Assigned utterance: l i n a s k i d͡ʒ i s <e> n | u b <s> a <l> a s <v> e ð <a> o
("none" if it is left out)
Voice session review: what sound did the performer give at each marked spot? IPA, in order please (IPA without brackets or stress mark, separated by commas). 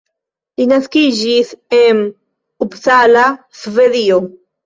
e, s, l, v, i